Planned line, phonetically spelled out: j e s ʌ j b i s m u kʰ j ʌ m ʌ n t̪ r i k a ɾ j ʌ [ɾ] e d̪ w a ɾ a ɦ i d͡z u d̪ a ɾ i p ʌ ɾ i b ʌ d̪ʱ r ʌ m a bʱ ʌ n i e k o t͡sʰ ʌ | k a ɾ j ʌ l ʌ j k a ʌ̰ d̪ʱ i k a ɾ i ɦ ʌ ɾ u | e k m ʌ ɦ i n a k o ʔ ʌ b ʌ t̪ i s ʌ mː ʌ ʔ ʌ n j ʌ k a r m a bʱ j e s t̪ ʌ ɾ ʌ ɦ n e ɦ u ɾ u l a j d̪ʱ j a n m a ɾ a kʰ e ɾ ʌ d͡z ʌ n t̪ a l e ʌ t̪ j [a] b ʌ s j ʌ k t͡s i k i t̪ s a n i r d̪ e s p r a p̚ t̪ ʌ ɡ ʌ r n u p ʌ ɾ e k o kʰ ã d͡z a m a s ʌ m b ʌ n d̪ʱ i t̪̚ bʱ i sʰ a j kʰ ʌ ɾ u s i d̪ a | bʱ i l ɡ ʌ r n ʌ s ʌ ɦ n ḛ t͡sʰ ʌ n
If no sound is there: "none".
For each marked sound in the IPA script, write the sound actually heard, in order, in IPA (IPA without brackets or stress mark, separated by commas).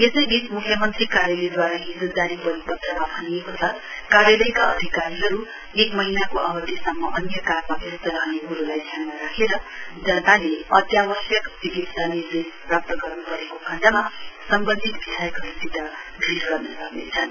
l, a